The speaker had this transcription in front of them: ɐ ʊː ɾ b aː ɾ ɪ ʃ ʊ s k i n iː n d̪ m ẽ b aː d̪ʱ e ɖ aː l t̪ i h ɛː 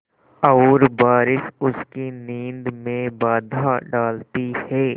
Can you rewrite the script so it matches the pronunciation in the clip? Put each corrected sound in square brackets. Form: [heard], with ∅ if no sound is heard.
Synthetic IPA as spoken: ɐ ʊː ɾ b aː ɾ ɪ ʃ ʊ s k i n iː n d̪ m ẽ b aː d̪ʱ [a] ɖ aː l t̪ i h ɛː